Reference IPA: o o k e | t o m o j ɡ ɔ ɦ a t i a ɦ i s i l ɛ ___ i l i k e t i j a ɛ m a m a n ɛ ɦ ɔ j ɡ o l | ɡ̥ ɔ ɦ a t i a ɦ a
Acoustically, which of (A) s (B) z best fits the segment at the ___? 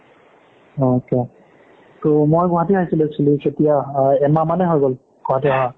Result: A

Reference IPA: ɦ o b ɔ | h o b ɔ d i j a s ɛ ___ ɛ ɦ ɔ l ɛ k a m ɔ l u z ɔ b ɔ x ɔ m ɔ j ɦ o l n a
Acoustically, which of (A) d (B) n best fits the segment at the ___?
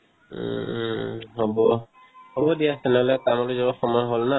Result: B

